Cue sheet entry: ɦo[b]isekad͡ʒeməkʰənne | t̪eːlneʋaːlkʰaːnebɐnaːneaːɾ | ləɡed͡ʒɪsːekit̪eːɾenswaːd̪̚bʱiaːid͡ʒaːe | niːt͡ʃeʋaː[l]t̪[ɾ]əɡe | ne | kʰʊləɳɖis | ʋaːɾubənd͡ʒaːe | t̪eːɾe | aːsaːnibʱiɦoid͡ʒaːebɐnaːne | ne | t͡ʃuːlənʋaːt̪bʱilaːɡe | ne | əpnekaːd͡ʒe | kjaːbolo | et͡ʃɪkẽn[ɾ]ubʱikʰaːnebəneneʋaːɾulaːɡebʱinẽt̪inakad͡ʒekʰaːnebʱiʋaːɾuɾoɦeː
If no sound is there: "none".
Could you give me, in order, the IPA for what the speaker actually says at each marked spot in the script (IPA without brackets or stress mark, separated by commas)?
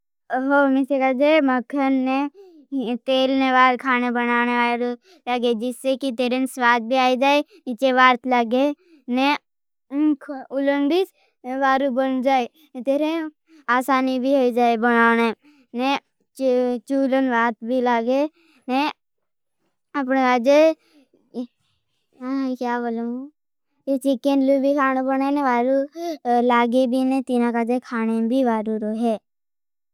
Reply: m, ɾ, l, l